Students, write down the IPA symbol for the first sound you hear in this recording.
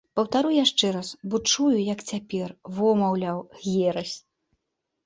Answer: p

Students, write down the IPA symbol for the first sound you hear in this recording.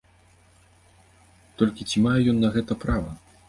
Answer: t̪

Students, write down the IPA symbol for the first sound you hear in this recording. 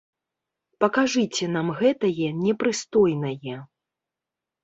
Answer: p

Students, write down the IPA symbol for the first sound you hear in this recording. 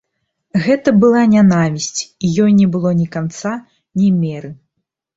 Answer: ɣ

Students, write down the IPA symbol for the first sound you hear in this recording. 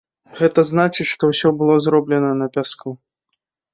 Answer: ɣ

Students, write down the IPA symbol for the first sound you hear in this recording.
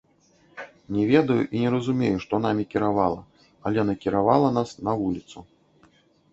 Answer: nʲ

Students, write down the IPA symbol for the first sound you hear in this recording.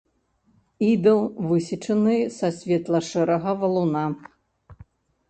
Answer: i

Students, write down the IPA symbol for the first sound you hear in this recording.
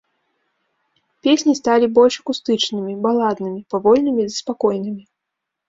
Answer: pʲ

